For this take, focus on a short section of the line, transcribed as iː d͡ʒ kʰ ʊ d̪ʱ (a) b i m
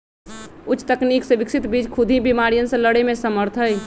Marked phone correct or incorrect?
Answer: incorrect